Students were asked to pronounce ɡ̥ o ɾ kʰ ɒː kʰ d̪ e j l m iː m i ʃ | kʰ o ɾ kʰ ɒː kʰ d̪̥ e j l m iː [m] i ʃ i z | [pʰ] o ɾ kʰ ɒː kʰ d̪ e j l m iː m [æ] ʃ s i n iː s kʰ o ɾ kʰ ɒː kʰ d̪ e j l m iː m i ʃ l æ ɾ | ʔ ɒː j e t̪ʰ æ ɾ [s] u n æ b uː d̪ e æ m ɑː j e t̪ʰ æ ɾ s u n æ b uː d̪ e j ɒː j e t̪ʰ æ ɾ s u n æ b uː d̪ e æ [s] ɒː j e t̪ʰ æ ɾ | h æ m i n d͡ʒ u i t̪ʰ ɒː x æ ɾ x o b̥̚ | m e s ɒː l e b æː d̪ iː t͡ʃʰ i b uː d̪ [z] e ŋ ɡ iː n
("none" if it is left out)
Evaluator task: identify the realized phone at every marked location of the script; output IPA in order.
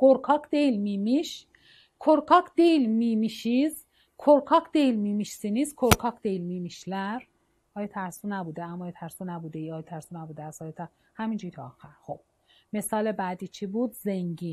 m, kʰ, i, s, s, z

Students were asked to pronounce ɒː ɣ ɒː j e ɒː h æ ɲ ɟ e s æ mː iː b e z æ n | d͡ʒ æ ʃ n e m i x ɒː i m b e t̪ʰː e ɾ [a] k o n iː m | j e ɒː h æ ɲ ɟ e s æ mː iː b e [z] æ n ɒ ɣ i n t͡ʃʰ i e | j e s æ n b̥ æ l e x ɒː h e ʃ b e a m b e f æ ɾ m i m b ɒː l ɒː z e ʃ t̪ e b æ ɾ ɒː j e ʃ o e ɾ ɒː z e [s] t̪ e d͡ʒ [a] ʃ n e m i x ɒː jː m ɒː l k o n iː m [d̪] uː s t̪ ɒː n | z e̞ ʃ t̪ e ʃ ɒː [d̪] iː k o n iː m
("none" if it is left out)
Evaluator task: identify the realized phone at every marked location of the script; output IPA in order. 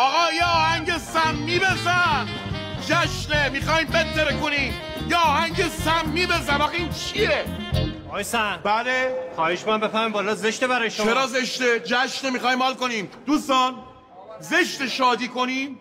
e, z, ʃ, æ, d̪, d̪

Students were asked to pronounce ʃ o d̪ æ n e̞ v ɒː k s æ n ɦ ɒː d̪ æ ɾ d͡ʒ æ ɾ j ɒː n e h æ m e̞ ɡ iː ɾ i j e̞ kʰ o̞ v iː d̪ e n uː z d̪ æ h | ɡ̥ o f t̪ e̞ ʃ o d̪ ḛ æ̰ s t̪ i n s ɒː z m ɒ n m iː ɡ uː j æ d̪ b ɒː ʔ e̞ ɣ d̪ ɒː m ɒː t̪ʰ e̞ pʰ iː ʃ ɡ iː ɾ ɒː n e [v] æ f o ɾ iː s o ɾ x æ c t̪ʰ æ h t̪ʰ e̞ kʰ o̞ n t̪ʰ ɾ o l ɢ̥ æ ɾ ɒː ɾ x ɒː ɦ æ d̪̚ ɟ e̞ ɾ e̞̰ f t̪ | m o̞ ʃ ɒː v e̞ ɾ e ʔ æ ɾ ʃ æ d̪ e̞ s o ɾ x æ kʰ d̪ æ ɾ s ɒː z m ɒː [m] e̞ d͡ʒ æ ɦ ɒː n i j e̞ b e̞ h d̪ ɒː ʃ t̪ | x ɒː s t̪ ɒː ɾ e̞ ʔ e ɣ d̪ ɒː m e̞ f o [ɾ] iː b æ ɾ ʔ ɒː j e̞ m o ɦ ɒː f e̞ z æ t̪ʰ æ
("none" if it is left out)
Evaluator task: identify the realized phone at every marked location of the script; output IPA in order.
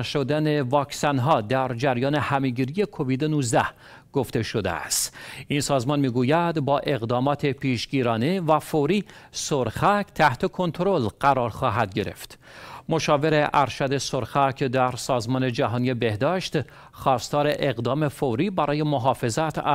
v, n, ɾ

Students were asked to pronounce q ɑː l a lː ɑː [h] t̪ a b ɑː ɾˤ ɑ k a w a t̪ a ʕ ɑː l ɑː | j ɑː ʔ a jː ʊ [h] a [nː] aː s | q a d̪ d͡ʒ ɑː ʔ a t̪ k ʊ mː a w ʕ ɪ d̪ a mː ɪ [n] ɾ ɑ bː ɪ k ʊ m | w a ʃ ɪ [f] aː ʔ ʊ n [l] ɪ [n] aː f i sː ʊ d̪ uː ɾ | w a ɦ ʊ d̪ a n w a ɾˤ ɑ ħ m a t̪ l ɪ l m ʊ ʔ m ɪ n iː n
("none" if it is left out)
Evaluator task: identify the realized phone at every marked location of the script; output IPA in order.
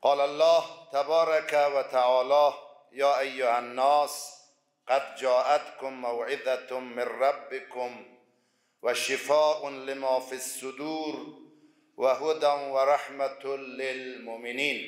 h, h, nː, n, f, l, m

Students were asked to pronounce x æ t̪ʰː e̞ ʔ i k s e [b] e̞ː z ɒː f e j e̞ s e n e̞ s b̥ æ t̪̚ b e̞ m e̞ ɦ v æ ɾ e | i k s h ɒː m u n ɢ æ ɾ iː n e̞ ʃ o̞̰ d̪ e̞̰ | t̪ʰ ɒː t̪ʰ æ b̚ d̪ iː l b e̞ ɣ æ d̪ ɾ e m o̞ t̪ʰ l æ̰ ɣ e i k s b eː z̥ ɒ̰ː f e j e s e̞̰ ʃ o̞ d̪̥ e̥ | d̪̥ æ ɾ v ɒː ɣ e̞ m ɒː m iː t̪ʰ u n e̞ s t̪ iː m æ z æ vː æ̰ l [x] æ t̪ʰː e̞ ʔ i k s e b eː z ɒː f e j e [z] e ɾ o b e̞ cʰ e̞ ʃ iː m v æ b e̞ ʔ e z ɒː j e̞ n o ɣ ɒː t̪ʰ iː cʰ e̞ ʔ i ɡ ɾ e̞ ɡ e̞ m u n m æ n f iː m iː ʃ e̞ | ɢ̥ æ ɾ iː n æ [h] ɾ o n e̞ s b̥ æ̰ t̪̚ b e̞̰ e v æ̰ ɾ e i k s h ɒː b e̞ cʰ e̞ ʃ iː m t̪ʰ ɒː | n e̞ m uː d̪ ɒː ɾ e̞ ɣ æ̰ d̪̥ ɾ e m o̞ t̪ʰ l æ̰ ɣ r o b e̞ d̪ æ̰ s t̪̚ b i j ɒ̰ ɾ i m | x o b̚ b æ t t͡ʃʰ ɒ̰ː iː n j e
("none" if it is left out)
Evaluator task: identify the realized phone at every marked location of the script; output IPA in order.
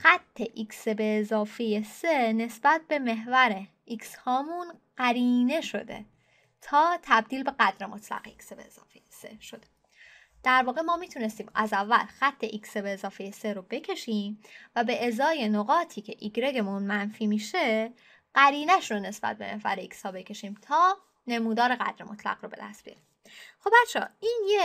b, x, s, ʃ

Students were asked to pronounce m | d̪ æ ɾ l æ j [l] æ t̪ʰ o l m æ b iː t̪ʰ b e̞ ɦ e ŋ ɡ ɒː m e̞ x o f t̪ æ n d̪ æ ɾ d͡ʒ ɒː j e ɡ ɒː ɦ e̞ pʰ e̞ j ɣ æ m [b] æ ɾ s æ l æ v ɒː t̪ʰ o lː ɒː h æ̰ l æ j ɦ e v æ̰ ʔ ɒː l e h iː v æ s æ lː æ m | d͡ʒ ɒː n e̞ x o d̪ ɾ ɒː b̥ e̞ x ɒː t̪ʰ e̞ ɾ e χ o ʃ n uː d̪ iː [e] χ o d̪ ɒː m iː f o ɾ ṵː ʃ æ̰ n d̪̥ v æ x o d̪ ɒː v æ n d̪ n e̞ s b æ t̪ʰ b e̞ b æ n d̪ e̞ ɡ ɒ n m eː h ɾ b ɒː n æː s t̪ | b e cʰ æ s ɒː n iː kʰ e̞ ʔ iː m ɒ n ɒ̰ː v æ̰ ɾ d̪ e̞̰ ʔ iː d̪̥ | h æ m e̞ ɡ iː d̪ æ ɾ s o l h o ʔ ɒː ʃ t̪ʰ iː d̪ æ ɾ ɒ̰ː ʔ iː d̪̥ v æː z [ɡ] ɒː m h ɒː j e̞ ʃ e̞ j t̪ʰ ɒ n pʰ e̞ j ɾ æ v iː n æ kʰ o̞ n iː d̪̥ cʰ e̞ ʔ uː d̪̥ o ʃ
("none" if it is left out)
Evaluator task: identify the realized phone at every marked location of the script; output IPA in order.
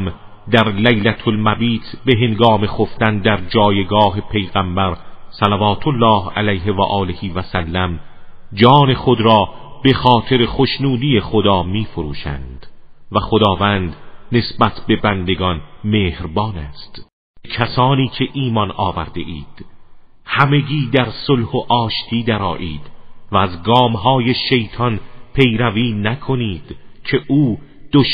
l, b, e, ɡ

